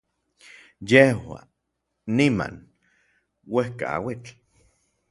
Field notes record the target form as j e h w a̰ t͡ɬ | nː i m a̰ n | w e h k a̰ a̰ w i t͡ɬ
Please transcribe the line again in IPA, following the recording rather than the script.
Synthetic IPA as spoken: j e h w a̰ | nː i m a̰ n | w e h k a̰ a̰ w i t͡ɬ